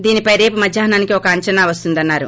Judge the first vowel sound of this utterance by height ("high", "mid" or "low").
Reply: high